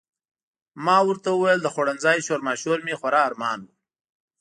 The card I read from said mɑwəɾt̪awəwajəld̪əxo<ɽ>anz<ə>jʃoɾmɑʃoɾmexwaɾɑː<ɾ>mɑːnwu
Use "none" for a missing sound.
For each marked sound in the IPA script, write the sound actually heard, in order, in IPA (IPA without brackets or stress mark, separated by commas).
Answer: ɽ, ɑ, ɾ